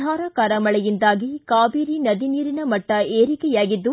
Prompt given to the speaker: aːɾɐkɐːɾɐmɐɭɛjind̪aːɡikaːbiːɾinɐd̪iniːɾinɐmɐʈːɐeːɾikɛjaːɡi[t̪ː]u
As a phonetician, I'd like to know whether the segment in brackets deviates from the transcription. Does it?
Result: yes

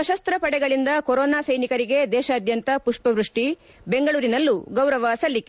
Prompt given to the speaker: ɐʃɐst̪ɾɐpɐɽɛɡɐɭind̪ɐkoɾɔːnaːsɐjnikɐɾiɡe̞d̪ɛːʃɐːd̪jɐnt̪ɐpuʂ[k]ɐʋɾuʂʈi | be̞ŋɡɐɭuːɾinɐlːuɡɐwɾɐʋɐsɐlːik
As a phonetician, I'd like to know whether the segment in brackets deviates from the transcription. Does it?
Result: yes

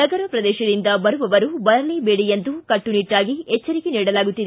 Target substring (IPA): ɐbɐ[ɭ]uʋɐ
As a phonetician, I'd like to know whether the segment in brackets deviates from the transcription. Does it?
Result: yes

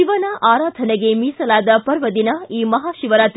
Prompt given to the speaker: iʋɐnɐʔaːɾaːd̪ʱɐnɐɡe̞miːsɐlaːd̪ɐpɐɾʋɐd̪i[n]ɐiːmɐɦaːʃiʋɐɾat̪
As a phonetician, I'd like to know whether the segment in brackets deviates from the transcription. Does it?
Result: no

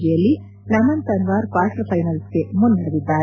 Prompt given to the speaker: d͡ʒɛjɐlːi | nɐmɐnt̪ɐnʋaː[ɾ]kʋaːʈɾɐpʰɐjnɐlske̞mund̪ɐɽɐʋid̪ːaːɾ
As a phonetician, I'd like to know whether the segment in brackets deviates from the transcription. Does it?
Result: no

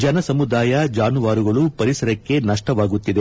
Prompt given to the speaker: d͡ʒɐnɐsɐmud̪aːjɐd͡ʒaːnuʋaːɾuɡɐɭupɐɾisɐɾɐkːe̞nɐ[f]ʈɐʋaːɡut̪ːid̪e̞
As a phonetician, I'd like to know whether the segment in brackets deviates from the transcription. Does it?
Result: yes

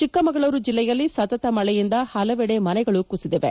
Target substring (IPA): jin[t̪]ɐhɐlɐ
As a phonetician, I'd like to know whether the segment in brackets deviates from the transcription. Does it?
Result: yes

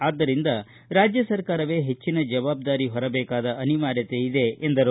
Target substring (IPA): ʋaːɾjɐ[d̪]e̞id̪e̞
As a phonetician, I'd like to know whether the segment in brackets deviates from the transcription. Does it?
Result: yes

